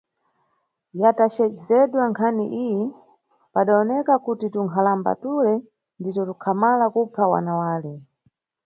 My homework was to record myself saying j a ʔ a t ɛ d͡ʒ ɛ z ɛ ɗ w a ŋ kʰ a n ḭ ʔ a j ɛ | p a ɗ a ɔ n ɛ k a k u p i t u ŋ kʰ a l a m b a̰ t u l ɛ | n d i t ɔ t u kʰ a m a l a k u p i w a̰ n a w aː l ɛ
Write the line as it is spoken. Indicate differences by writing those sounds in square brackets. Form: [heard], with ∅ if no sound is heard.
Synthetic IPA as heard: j a [t] a [t͡ʃ] ɛ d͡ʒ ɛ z ɛ ɗ w a ŋ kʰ a n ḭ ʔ [i] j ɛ | p a ɗ a ɔ n ɛ k a k u [t] i t u ŋ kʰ a l a m b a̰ t u l ɛ | n d i t ɔ t u kʰ a m a l a k u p [a] w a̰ n a w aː l ɛ